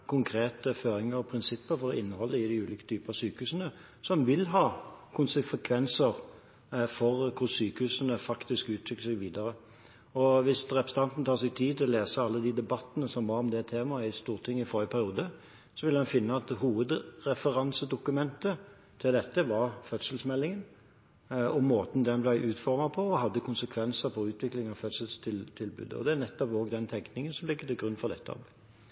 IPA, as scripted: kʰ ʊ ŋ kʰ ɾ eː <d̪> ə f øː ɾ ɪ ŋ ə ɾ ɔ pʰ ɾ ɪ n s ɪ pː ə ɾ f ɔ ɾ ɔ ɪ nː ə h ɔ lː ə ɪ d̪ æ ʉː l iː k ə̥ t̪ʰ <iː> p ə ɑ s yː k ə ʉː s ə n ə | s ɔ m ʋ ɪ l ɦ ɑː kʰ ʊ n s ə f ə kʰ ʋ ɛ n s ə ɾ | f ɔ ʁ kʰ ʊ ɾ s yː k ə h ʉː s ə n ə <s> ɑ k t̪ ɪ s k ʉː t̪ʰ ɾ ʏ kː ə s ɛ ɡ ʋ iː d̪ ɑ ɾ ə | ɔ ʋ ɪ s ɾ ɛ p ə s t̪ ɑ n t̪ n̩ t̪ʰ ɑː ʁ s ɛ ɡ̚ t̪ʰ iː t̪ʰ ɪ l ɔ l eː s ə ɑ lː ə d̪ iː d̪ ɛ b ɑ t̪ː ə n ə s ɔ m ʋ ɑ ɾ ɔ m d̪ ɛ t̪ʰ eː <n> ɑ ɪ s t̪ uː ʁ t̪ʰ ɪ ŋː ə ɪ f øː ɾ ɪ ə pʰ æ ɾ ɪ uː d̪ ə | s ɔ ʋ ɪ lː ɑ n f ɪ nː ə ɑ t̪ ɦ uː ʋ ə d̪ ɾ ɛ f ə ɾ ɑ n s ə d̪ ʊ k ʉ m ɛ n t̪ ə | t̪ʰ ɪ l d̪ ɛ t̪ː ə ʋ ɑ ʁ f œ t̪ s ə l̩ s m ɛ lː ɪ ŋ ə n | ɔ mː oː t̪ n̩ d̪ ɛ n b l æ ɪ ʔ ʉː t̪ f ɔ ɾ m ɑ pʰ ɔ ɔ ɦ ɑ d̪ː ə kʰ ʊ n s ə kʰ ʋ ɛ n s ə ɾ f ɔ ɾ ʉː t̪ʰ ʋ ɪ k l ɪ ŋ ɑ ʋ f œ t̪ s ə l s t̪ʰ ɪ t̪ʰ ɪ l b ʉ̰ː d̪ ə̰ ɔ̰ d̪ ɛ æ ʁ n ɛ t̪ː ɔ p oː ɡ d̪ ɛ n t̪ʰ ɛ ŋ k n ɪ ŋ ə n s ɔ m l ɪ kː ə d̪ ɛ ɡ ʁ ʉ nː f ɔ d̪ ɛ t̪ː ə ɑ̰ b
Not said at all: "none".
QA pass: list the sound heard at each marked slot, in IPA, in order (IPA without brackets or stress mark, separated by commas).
t̪, yː, f, m